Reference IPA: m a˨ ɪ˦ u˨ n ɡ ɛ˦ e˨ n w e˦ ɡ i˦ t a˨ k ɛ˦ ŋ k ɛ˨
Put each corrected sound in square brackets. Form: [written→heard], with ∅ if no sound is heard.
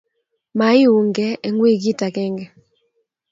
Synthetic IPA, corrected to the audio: m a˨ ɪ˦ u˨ [n→ŋ] ɡ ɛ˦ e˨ [n→ŋ] w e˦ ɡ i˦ t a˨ k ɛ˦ ŋ [k→ɡ] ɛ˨